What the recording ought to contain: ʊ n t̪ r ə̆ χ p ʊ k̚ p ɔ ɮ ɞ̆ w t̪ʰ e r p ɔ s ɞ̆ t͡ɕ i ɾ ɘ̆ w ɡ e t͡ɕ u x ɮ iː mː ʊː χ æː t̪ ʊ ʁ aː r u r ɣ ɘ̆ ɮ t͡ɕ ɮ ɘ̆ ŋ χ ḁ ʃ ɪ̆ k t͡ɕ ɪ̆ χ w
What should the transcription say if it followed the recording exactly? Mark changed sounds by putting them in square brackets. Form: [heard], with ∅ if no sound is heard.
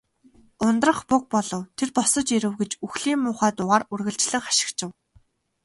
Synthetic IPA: ʊ n t̪ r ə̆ χ p ʊ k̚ p ɔ ɮ ɞ̆ w t̪ʰ e r p ɔ s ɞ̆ t͡ɕ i ɾ ɘ̆ w ɡ e t͡ɕ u x ɮ iː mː ʊː χ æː t̪ ʊ ʁ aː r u r ɣ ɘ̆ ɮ t͡ɕ ɮ ɘ̆ ŋ χ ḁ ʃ ɪ̆ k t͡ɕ ɪ̆ [∅] w